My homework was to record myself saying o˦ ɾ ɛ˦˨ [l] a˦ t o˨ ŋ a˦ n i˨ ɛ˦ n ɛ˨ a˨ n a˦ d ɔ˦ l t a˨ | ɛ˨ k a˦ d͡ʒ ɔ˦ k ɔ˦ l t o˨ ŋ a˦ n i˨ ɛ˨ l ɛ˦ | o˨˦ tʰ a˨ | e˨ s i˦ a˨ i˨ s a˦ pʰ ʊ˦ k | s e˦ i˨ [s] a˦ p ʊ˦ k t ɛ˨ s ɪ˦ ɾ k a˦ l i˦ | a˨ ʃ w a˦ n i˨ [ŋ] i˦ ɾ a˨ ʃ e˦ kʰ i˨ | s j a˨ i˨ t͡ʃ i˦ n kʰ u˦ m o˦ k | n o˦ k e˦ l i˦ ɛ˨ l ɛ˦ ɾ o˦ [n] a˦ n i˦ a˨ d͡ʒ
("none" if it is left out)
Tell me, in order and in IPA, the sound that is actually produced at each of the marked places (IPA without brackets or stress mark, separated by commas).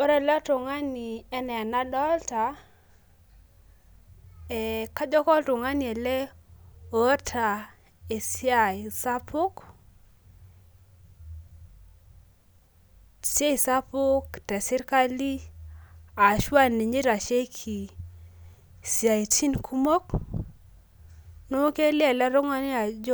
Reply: l, s, ɲ, ŋ